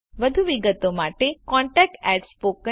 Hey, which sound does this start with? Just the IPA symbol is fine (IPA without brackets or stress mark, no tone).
ʋ